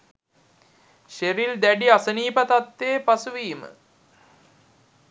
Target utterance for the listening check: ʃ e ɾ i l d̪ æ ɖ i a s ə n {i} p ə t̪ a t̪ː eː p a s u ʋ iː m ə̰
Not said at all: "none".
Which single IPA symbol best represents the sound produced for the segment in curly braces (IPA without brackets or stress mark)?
iː